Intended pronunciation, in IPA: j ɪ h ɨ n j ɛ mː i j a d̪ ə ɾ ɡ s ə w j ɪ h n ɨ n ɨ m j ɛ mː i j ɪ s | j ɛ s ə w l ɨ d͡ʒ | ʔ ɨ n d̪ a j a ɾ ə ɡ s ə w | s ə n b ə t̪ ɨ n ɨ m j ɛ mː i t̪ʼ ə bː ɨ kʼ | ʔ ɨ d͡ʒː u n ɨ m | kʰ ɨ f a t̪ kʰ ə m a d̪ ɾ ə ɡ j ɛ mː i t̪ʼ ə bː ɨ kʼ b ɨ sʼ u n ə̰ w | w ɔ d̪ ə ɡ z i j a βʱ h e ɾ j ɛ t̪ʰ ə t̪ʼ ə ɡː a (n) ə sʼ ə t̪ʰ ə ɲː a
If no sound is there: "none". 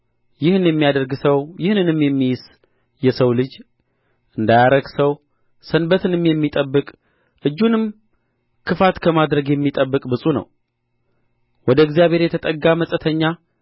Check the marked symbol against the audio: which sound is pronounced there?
m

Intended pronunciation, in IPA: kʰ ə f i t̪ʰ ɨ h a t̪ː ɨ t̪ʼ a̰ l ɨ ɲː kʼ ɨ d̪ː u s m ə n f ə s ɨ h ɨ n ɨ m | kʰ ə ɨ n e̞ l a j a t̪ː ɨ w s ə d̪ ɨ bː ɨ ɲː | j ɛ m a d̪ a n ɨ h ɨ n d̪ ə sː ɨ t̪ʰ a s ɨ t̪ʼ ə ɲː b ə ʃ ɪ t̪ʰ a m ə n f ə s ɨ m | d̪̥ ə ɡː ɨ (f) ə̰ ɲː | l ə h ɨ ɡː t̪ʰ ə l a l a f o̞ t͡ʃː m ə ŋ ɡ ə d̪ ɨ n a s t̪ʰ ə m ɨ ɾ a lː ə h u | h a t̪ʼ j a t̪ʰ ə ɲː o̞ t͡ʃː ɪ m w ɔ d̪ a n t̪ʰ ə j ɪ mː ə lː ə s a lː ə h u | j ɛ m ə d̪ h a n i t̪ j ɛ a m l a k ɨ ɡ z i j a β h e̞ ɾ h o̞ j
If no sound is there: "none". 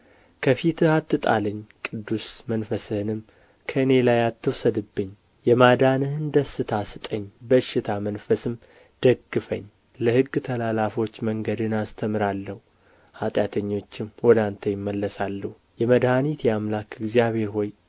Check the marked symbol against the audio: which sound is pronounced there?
f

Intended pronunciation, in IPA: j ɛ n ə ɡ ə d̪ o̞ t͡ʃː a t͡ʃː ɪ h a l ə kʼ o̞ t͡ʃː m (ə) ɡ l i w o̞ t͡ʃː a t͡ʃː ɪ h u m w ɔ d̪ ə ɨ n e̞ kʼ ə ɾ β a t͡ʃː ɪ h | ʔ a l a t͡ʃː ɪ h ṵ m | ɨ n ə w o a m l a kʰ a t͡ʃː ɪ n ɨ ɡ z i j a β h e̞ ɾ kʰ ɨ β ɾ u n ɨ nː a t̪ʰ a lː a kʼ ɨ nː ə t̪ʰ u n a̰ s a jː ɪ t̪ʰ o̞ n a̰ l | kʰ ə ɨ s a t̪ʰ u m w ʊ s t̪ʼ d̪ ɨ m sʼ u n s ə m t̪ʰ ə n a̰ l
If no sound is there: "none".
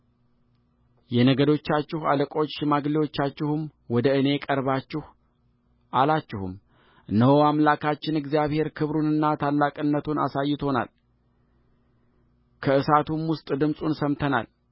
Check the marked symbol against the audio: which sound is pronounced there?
a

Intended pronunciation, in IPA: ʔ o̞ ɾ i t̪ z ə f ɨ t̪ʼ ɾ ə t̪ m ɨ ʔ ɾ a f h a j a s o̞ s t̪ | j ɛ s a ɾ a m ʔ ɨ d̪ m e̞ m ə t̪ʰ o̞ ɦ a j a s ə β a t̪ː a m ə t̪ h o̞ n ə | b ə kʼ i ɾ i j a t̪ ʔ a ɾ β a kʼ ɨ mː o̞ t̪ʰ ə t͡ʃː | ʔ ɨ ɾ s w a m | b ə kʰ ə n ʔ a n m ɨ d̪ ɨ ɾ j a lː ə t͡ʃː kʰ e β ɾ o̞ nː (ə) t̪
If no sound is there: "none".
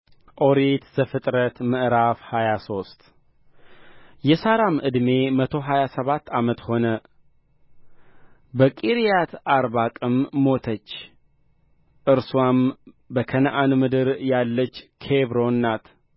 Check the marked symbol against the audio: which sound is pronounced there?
a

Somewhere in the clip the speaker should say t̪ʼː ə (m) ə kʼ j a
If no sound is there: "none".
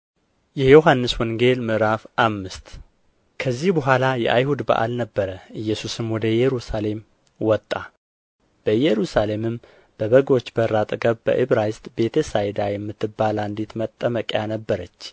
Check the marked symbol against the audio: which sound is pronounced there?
m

